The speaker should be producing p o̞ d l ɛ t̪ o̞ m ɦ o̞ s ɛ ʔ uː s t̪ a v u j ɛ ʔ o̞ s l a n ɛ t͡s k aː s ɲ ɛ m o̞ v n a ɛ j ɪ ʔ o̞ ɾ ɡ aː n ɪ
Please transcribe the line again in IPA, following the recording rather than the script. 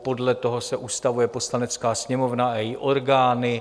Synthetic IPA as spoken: p o̞ d l ɛ t̪ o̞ ɦ o̞ s ɛ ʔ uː s t̪ a v u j ɛ p o̞ s l a n ɛ t͡s k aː s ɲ ɛ m o̞ v n a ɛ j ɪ ʔ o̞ ɾ ɡ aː n ɪ